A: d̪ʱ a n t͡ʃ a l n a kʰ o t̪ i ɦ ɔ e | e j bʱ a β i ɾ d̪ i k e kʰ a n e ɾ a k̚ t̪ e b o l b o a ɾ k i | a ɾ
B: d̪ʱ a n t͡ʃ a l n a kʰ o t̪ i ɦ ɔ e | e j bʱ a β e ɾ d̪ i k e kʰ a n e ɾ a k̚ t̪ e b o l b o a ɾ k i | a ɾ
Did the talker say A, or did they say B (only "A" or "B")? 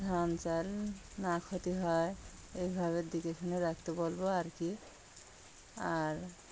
B